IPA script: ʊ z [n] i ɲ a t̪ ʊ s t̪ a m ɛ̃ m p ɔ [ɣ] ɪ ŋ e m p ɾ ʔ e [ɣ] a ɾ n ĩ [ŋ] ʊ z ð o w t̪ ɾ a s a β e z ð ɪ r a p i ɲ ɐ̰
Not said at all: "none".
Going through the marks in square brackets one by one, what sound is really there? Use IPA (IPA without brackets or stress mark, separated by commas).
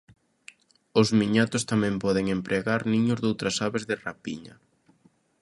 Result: m, ð, ɣ, ɲ